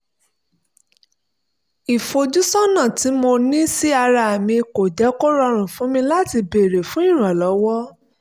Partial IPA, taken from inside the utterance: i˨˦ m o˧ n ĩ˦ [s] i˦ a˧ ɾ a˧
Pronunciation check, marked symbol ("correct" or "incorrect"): correct